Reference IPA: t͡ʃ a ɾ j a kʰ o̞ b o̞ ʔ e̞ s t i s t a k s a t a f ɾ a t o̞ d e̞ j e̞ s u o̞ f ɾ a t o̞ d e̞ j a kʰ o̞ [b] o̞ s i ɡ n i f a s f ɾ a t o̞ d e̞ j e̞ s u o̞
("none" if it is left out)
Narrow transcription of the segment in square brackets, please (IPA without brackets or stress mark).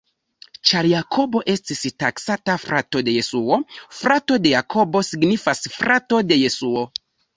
b